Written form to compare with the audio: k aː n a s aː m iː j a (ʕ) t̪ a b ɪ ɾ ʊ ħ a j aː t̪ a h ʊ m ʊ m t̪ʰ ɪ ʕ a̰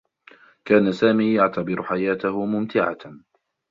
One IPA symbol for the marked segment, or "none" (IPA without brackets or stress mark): ʕ